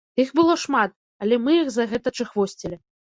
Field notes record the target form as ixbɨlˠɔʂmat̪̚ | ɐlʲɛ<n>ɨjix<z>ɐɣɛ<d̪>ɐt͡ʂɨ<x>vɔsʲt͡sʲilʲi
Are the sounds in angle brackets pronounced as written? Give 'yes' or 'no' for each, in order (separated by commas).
no, yes, no, yes